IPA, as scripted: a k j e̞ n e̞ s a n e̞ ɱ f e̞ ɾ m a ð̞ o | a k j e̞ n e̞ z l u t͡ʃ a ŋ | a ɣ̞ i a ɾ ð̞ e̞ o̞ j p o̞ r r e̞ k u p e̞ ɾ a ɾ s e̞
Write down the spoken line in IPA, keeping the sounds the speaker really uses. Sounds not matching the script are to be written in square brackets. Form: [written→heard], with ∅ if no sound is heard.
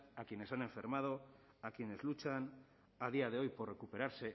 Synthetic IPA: a k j e̞ n e̞ s a n e̞ ɱ f e̞ ɾ m a ð̞ o | a k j e̞ n e̞ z l u t͡ʃ a [ŋ→n] | a [ɣ̞→ð̞] i a [ɾ→∅] ð̞ e̞ o̞ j p o̞ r r e̞ k u p e̞ ɾ a ɾ s e̞